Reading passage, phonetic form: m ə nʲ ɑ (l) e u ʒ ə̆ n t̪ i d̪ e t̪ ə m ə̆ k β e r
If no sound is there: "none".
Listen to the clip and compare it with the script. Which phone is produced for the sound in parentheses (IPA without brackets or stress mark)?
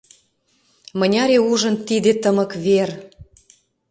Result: ɾ